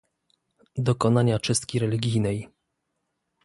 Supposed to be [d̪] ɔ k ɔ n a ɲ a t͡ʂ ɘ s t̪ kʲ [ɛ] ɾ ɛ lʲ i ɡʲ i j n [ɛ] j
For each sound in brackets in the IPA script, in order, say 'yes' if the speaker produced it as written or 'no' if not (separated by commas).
yes, no, yes